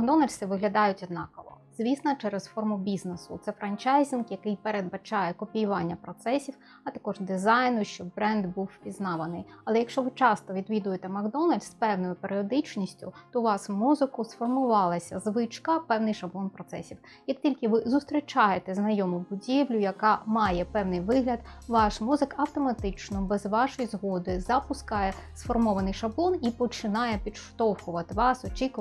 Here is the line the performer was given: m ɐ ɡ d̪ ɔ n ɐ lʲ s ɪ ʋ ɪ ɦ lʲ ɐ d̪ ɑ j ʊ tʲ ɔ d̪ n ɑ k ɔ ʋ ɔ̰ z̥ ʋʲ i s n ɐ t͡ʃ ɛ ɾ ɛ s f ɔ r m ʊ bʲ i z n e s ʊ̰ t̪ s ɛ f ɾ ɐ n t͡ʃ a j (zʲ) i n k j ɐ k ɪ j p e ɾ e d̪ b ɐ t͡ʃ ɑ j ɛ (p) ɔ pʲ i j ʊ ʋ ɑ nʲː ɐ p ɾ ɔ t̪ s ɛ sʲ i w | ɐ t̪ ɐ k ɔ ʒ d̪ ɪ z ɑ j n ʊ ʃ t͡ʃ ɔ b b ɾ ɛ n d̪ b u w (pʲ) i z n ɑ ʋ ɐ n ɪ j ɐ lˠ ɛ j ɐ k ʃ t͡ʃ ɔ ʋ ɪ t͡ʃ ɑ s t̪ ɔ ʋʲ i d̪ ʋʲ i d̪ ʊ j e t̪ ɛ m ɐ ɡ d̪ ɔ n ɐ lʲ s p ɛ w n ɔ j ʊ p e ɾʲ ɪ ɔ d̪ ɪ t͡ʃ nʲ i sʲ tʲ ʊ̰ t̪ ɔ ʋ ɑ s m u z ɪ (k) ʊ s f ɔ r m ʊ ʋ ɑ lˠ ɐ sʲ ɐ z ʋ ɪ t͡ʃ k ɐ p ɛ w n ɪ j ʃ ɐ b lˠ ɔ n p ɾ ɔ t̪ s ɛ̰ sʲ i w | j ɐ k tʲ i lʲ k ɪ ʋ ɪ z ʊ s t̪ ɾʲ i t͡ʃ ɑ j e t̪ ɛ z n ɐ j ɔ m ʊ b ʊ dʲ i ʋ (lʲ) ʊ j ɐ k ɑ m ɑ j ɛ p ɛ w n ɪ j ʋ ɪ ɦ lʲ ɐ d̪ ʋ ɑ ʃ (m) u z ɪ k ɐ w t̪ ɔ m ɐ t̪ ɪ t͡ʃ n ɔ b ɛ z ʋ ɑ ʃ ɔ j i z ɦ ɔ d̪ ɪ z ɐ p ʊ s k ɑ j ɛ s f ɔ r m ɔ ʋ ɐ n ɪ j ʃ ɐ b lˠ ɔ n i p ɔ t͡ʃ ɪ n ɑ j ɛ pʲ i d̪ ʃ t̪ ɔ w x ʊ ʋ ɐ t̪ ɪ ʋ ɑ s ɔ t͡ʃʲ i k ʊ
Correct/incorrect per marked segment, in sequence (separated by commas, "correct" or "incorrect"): correct, incorrect, correct, correct, correct, correct